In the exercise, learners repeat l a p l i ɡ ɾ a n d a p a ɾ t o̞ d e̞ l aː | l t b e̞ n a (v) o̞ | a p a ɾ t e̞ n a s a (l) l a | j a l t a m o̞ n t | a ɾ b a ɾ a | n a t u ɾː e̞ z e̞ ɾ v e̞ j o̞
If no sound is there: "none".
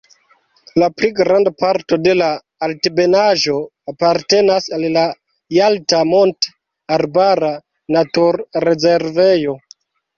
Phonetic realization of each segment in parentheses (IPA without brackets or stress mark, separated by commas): ʒ, l